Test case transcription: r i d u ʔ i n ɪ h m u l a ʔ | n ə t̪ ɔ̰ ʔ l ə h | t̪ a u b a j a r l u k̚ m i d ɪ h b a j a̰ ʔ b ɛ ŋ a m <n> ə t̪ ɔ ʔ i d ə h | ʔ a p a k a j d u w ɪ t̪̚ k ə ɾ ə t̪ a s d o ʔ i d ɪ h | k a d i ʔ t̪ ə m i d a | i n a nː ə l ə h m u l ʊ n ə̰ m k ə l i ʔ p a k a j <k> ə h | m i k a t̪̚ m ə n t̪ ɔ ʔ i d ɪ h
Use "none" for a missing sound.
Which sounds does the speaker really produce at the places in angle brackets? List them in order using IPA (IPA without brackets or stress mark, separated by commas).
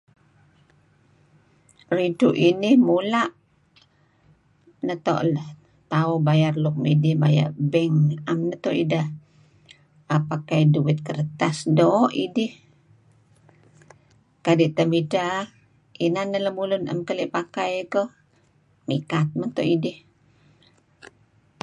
n, k